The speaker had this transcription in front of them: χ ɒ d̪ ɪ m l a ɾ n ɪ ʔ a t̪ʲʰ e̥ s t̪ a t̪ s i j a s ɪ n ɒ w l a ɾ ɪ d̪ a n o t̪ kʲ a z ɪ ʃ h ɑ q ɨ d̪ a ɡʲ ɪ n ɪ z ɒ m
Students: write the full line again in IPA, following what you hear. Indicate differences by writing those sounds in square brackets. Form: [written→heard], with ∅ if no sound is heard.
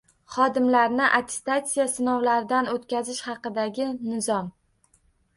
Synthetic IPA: χ ɒ d̪ ɪ m l a ɾ n ɪ ʔ a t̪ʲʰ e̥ s t̪ a t̪ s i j a s ɪ n ɒ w l a ɾ ɪ d̪ a n o t̪ kʲ a z ɪ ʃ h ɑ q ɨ d̪ a ɡʲ ɪ n ɪ z ɒ m